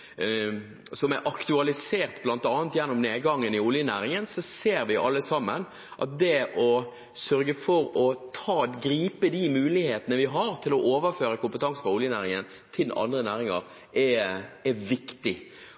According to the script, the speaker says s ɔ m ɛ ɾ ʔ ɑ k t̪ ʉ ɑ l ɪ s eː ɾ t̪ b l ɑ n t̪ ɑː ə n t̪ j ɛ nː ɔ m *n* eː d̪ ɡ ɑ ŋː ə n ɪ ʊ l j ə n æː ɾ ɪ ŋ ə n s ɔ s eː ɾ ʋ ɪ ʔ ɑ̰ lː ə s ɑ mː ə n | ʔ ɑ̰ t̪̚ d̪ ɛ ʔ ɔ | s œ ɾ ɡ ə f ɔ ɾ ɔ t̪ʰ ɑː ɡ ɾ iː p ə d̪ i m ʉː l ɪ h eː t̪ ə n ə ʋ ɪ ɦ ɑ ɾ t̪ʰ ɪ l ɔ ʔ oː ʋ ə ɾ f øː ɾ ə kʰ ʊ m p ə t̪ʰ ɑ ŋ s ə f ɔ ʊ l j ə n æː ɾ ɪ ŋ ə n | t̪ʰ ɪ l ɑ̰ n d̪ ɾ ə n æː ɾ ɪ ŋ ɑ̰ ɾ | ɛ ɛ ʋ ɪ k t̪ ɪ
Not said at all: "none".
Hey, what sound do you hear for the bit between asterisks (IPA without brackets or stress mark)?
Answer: n